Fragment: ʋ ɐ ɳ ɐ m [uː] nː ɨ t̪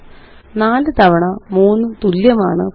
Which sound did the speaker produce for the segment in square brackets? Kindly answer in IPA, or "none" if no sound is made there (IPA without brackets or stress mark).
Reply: uː